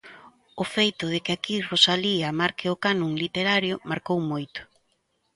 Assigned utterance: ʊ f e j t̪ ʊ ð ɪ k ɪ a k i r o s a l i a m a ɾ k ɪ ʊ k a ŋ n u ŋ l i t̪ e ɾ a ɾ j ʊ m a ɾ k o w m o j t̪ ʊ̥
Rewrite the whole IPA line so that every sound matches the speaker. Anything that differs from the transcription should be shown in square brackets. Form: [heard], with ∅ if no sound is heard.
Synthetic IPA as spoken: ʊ f e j t̪ ʊ ð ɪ k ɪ a k i r o s a l i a m a ɾ k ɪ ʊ k a [∅] n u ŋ l i t̪ e ɾ a ɾ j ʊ m a ɾ k o w m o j t̪ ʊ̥